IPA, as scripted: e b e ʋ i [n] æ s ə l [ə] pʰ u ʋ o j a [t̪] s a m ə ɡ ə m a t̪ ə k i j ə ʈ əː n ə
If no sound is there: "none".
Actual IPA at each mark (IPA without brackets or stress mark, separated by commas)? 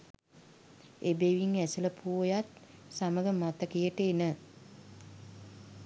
ŋ, ə, t̪